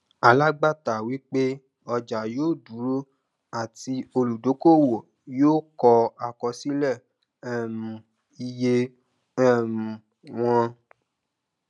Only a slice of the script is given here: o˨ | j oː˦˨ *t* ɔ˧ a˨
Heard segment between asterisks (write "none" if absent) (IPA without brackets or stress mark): k